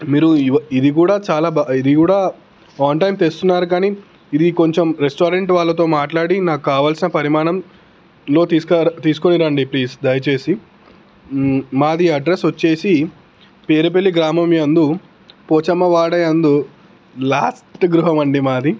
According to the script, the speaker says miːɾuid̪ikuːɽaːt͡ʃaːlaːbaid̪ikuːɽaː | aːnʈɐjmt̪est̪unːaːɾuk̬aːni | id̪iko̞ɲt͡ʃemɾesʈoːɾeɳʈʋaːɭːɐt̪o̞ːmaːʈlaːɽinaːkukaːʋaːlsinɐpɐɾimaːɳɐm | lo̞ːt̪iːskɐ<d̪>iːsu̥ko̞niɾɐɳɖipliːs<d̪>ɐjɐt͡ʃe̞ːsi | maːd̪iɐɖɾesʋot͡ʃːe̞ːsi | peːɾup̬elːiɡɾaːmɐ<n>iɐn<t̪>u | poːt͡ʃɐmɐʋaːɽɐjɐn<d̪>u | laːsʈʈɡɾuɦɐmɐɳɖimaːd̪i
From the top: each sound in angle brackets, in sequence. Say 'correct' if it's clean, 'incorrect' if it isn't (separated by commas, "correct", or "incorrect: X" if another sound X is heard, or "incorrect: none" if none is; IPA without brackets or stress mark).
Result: incorrect: t̪, correct, incorrect: m, incorrect: d̪, correct